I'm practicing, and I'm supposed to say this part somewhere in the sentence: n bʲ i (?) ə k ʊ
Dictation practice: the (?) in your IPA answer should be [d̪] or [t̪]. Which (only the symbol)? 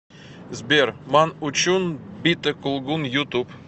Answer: t̪